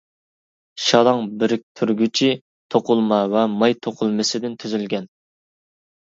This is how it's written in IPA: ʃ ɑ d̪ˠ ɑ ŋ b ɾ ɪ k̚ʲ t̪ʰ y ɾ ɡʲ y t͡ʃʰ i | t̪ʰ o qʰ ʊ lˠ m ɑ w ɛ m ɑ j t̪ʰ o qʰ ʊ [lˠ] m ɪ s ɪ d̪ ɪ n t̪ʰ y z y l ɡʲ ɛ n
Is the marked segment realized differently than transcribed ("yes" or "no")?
no